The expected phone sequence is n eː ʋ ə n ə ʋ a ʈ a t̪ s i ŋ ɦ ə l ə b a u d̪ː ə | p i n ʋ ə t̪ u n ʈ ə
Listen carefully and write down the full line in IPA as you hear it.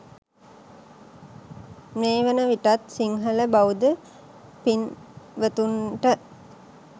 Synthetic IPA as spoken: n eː ʋ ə n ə ʋ i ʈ a t̪ s i ŋ ɦ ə l ə b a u d̪ ə | p i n ʋ ə t̪ u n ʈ ə